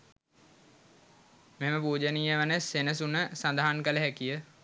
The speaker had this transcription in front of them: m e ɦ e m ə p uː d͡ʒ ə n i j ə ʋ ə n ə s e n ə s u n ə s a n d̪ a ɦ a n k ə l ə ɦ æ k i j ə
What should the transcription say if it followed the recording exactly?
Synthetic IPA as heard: m e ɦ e m ə p uː d͡ʒ ə n i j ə ʋ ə n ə s e n ə s u n ə s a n d̪ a ɦ a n k ə l ə ɦ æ k i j ə

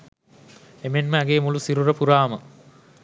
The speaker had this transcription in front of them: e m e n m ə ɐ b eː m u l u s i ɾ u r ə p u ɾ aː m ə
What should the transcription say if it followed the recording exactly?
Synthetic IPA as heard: e m e n m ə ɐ ɡ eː m u l u s i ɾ u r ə p u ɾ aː m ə

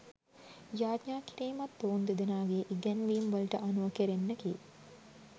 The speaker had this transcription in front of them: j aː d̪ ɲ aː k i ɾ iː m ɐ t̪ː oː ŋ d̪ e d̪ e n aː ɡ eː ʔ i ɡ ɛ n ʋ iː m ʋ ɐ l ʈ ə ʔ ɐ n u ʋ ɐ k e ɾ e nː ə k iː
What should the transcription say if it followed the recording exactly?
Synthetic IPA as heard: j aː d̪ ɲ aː k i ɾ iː m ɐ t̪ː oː n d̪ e d̪ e n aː ɡ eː ʔ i ɡ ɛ n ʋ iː m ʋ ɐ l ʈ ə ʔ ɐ n u ʋ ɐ k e ɾ e nː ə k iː

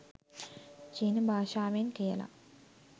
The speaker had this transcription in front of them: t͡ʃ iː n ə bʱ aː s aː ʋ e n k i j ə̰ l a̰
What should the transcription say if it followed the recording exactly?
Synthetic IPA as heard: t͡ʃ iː n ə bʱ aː ʃ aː ʋ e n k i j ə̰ l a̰

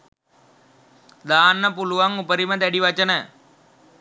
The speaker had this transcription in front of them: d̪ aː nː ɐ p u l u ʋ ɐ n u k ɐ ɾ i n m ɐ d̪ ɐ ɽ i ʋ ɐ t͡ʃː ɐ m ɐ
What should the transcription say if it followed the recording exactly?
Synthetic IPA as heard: d̪ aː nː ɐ p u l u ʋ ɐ ŋ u p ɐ ɾ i m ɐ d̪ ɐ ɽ i ʋ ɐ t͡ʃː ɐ n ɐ

